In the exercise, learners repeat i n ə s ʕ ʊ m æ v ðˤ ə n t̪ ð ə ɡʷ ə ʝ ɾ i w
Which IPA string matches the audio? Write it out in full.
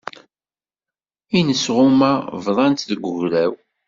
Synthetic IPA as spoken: i n ə s ʁ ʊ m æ v ðˤ ɑ n t̪ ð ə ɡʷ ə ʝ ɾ æ w